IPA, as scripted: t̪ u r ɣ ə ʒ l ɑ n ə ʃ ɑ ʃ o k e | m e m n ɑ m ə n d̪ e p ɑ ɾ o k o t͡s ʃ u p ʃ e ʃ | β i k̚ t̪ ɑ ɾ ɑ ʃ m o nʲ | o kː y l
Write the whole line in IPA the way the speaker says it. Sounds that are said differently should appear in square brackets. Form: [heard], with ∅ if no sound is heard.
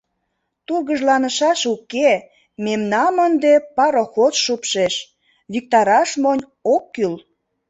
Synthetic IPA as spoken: t̪ u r ɣ ə ʒ l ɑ n ə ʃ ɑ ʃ [u] k e | m e m n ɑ m ə n d̪ e p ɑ ɾ o [x] o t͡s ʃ u p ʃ e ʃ | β i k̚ t̪ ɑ ɾ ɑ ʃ m o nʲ | o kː y l